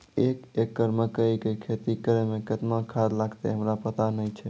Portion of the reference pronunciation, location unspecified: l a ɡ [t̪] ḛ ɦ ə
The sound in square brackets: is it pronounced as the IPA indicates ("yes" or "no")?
yes